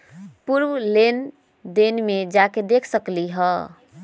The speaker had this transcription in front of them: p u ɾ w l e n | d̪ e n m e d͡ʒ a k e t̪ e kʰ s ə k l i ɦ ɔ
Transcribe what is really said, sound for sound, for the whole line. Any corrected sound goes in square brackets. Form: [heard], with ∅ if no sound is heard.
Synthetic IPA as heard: p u ɾ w l e n | d̪ e n m e d͡ʒ a k e [d̪] e kʰ s ə k l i ɦ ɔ